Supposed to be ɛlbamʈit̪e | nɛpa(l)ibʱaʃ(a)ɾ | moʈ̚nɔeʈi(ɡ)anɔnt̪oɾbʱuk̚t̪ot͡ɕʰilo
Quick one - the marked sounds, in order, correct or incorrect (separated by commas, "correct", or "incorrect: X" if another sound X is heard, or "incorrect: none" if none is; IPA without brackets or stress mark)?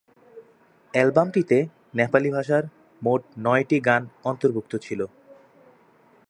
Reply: correct, correct, correct